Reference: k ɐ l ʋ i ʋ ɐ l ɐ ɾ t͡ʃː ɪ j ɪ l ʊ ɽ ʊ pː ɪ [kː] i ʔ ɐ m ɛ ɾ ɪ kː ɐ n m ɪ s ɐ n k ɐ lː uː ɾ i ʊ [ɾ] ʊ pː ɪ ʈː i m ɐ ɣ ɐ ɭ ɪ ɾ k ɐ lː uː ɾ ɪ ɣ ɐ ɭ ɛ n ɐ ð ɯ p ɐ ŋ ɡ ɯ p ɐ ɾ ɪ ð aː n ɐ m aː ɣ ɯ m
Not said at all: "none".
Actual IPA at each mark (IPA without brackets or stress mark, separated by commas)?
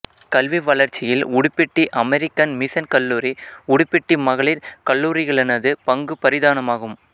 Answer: ʈː, ɽ